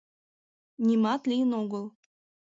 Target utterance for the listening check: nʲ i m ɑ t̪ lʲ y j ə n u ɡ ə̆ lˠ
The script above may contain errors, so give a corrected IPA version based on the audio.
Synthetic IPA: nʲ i m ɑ t̪ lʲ i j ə n o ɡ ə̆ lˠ